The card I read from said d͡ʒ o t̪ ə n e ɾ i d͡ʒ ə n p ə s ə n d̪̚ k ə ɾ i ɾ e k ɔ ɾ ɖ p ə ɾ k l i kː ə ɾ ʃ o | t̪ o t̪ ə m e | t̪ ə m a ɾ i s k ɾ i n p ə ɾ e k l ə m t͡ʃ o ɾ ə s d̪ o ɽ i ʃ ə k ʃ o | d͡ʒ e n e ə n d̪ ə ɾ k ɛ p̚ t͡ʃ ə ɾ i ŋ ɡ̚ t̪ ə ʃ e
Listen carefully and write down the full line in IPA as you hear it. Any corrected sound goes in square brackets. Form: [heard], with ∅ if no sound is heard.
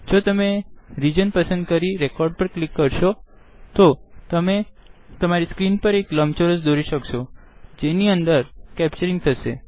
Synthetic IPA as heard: d͡ʒ o t̪ ə [m] e ɾ i d͡ʒ ə n p ə s ə n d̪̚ k ə ɾ i ɾ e k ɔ ɾ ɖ p ə ɾ k l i kː ə ɾ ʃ o | t̪ o t̪ ə m e | t̪ ə m a ɾ i s k ɾ i n p ə ɾ e k l ə m t͡ʃ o ɾ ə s d̪ o [ɾ] i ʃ ə k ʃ o | d͡ʒ e n [i] ə n d̪ ə ɾ k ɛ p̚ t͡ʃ ə ɾ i ŋ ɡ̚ [t̪ʰ] ə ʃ e

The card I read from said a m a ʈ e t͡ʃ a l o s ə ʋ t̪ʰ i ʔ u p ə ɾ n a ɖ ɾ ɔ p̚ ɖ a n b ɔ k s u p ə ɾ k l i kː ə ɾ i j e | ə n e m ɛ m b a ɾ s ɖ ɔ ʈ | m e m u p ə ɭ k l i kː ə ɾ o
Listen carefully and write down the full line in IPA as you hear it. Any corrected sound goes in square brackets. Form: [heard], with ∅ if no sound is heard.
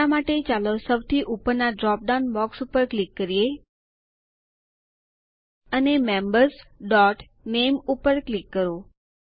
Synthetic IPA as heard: a m a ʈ e t͡ʃ a l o s ə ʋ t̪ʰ i ʔ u p ə ɾ n a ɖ ɾ ɔ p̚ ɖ a n b ɔ k s u p ə ɾ k l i kː ə ɾ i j e | ə n e m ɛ m b [ə] ɾ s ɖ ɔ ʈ | [n] e m u p ə [ɾ] k l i kː ə ɾ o

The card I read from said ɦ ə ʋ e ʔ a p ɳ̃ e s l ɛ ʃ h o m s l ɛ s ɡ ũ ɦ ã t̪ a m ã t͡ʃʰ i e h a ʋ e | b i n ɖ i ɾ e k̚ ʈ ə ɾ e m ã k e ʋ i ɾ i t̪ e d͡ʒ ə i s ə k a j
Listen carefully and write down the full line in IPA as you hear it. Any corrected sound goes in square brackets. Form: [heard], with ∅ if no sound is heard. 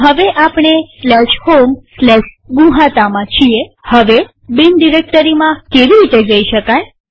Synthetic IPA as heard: ɦ ə ʋ e ʔ a p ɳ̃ e s l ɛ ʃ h o m s l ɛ [ʃ] ɡ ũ ɦ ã t̪ a m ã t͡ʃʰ i e h [ə] ʋ e | b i n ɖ i ɾ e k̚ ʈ ə ɾ [i] m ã k e ʋ i ɾ i t̪ e d͡ʒ ə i [ʃ] ə k a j

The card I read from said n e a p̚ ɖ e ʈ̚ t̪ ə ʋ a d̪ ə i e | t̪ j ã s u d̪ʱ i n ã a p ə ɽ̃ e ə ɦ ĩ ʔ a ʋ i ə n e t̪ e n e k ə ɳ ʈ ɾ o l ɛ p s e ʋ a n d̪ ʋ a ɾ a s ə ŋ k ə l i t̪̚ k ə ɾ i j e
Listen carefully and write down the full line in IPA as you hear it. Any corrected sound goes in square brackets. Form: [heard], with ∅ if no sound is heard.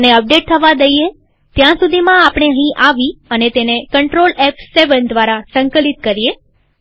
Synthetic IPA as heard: n e [ə] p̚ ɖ e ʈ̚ [t̪ʰ] ə ʋ a d̪ ə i e | t̪ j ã s u d̪ʱ i [m] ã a p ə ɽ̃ e ə ɦ ĩ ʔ a ʋ i ə n e t̪ e n e k ə ɳ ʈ ɾ o l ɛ p s e ʋ [ə] n d̪ ʋ a ɾ a s ə ŋ k ə l i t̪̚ k ə ɾ i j e

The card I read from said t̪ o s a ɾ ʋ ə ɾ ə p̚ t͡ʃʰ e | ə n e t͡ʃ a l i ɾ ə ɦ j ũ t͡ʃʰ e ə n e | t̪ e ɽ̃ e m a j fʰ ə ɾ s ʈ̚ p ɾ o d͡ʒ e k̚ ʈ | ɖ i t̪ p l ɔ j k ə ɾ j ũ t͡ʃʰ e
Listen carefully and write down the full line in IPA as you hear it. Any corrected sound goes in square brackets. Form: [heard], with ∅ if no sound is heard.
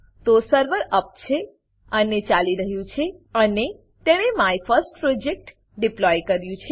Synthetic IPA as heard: t̪ o s [ə] ɾ ʋ ə ɾ ə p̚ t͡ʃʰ e | ə n e t͡ʃ a l i ɾ ə ɦ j ũ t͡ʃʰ e ə n e | t̪ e ɽ̃ e m a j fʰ ə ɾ s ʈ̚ p ɾ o d͡ʒ e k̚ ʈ | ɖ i [∅] p l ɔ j k ə ɾ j ũ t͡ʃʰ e

